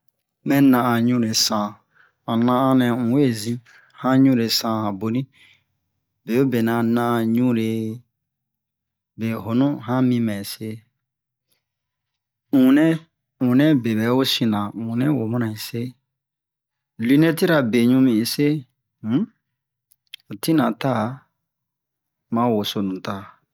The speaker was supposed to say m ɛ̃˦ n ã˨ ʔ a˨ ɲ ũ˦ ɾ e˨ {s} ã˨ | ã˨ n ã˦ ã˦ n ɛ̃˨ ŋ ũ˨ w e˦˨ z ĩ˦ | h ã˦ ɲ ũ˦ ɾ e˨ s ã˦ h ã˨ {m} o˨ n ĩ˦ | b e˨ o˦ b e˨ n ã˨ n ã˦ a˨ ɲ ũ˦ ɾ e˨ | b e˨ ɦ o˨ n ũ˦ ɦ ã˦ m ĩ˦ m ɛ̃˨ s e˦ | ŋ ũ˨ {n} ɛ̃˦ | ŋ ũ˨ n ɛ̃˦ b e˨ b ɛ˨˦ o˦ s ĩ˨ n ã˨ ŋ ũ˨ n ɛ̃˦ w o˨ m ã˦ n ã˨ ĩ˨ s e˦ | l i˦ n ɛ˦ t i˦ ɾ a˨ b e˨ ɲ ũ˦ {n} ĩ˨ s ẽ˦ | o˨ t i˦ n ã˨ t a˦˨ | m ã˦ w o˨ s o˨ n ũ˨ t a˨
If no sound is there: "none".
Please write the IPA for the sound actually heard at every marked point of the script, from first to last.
s, b, n, m

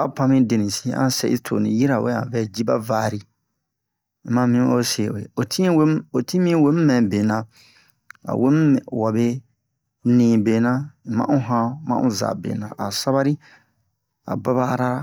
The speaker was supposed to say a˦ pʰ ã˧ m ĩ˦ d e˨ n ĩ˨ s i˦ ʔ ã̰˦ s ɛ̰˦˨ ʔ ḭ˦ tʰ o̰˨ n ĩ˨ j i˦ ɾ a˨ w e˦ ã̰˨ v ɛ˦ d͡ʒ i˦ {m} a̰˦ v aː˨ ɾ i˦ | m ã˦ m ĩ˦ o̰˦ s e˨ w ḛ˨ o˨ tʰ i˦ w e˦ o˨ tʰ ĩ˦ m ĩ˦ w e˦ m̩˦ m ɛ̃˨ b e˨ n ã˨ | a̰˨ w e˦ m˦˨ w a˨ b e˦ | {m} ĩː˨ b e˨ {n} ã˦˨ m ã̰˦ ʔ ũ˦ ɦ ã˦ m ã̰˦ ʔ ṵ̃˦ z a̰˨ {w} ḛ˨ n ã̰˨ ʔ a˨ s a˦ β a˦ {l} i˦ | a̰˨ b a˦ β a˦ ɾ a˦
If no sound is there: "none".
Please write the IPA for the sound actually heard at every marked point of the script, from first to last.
b, n, n, b, ɾ

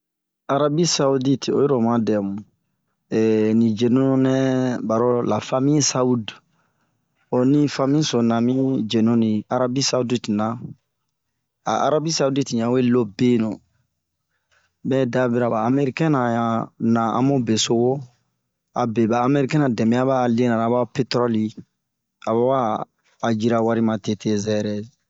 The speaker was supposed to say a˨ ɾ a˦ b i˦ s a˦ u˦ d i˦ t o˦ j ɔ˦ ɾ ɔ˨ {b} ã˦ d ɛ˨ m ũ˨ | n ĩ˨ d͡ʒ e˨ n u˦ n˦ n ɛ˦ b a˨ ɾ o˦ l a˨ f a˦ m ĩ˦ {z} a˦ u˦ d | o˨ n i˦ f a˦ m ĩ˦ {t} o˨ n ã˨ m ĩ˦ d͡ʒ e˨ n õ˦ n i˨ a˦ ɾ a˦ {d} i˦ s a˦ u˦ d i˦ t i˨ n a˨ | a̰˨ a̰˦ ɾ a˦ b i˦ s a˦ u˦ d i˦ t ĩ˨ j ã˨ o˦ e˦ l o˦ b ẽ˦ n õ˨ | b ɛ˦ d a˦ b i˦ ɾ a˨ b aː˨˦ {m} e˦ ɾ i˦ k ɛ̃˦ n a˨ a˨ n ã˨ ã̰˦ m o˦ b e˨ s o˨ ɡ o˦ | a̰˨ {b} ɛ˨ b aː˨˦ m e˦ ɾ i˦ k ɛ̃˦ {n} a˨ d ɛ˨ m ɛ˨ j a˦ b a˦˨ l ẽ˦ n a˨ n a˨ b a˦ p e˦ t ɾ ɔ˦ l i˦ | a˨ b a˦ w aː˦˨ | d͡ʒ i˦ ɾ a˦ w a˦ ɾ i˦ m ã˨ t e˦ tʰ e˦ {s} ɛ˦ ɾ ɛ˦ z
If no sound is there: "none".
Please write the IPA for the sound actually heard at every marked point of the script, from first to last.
m, s, s, b, m, b, n, z

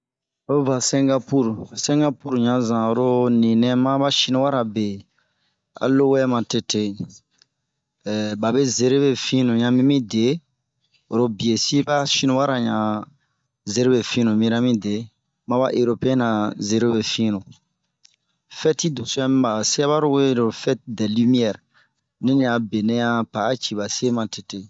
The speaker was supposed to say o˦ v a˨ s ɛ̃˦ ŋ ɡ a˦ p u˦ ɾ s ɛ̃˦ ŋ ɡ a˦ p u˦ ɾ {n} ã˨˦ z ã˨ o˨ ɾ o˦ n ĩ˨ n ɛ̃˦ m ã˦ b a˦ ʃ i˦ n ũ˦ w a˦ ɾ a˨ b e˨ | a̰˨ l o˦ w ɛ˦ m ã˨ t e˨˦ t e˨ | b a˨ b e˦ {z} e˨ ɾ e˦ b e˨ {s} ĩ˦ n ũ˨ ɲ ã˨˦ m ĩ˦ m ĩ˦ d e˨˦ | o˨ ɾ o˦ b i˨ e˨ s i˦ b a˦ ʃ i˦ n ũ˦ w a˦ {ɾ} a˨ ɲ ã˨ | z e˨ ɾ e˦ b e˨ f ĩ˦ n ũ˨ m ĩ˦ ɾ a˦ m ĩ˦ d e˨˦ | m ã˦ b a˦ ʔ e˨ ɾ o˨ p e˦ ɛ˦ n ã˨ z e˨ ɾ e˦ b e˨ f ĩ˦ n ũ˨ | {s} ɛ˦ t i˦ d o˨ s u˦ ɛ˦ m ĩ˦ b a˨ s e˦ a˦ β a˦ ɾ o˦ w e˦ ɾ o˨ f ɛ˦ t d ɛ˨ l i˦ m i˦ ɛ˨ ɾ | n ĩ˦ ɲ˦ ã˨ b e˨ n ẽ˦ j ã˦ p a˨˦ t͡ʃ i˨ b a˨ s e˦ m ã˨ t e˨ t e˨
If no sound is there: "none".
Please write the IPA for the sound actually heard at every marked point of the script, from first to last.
ɲ, z, f, ɾ, f

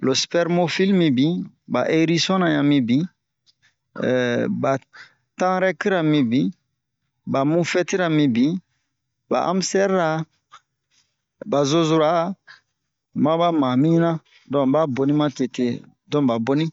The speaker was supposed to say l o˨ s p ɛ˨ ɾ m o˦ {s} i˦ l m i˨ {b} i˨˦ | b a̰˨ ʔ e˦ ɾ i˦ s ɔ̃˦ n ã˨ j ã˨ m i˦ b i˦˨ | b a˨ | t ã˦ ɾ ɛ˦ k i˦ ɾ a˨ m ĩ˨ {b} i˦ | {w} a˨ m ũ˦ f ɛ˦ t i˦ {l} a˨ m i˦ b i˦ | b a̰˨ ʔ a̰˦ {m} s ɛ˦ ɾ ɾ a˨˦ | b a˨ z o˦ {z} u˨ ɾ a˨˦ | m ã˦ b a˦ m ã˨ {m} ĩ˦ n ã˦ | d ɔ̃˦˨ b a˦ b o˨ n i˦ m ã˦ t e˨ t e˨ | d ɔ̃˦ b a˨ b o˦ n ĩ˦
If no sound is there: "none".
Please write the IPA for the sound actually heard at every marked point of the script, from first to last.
f, b, b, b, ɾ, m, z, m

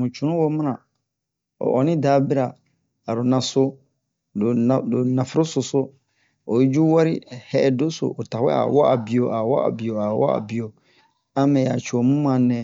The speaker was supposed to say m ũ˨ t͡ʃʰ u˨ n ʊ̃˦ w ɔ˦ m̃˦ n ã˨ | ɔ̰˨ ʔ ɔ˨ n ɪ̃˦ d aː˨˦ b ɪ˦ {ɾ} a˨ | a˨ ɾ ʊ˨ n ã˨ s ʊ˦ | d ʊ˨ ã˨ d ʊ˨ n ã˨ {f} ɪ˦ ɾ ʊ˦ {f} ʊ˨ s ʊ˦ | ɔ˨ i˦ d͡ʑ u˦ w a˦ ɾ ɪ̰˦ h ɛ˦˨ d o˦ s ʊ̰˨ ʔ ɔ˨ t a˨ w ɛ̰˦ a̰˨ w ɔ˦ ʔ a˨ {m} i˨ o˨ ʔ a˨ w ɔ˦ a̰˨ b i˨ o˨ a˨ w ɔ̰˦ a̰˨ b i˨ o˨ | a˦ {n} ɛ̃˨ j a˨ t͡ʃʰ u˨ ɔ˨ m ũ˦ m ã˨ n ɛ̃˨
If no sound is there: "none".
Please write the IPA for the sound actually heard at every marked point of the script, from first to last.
ɾ, f, s, b, m

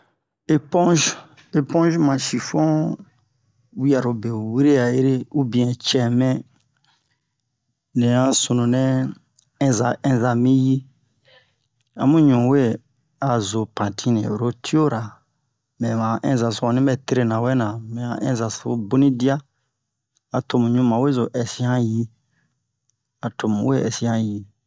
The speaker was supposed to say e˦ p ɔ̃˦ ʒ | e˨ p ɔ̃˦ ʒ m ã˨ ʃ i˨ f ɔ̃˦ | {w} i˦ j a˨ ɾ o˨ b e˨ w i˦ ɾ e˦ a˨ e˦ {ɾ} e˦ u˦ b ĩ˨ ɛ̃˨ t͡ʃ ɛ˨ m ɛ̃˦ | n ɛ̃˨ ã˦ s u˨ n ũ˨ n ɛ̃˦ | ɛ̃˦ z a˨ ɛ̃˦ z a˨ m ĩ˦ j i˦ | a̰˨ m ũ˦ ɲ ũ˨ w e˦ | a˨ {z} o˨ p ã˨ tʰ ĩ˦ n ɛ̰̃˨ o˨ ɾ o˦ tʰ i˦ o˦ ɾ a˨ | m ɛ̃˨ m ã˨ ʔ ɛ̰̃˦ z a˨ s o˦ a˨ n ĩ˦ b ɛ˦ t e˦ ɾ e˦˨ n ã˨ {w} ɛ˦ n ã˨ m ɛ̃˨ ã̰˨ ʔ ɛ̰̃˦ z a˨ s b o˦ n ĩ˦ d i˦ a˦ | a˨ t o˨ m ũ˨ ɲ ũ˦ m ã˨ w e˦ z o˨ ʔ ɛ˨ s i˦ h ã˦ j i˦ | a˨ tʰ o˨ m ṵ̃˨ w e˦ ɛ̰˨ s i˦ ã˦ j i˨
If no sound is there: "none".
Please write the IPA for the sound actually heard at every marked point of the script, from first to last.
w, ɾ, z, w

